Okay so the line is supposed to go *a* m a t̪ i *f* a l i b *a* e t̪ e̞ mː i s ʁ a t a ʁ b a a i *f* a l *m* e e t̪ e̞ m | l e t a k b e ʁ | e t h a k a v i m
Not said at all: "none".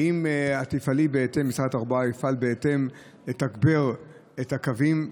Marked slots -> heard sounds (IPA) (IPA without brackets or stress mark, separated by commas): i, f, e, f, b